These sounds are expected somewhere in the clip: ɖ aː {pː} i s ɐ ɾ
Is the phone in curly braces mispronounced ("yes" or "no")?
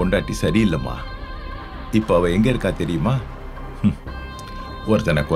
yes